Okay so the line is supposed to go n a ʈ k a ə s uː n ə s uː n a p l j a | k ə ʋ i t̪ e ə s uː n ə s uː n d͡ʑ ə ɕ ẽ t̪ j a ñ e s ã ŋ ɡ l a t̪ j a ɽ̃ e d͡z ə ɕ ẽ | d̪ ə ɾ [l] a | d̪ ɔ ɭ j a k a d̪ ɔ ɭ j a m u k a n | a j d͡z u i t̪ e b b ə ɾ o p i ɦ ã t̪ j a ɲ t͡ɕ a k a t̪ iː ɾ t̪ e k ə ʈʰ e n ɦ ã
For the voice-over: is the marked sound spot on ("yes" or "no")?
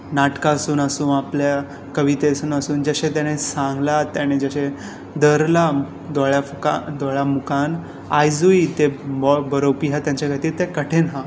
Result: yes